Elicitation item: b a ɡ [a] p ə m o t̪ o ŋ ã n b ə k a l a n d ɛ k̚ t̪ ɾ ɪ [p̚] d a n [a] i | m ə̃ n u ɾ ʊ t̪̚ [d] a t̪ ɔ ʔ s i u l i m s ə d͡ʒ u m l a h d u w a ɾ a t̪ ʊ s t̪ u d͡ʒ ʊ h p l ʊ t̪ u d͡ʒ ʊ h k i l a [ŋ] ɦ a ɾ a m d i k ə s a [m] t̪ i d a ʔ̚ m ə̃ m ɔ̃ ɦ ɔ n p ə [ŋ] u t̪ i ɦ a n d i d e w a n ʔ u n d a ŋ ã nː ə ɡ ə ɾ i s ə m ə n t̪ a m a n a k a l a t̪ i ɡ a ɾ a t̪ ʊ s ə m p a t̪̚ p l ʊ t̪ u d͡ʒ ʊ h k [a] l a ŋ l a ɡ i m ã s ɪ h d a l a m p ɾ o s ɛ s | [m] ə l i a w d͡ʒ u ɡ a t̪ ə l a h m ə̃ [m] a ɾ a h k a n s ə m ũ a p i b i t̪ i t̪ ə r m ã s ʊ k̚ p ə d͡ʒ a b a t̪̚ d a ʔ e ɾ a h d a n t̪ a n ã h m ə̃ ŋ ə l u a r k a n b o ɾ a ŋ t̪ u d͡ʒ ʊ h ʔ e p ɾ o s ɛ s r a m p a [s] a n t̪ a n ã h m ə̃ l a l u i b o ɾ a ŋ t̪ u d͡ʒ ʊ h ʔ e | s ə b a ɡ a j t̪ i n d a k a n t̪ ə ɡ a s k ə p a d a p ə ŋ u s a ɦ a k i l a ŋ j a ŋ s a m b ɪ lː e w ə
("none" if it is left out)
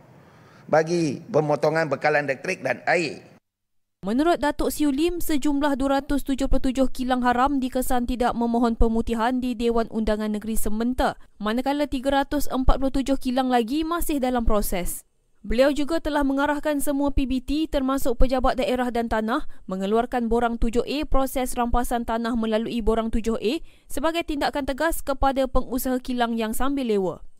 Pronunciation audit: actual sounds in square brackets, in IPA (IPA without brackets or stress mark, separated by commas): i, k̚, a, d, ŋ, n, m, i, b, ŋ, s